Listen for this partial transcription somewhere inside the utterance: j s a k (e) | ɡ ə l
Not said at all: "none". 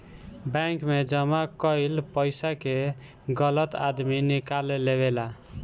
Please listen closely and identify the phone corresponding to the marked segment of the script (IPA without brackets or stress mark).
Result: e